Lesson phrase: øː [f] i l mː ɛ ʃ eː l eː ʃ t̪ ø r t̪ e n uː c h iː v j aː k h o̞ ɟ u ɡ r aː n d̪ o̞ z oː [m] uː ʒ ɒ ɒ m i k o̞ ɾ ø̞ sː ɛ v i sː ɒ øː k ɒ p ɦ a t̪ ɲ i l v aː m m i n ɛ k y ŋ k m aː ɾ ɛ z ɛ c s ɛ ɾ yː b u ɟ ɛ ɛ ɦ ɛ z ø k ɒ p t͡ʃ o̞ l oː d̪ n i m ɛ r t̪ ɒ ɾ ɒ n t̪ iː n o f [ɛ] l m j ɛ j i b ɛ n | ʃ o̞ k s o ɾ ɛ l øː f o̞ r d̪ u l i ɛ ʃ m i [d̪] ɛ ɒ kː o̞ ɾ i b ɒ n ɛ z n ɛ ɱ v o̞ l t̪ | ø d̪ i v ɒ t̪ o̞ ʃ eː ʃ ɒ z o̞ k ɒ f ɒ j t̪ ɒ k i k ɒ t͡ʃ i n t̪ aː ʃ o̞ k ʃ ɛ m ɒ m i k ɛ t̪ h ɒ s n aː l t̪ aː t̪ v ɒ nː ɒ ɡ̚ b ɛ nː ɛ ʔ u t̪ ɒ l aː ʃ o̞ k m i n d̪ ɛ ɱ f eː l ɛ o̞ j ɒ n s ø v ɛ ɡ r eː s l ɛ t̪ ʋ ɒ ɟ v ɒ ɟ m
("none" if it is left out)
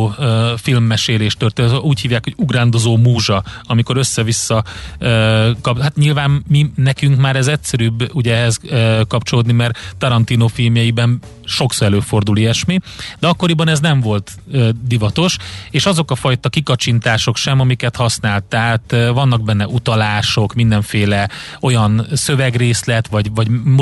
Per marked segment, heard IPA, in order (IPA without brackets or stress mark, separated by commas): f, m, i, d̪